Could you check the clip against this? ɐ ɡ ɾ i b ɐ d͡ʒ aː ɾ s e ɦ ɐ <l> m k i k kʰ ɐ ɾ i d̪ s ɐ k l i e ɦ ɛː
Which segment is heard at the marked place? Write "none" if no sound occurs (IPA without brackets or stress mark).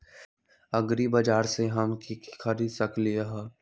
none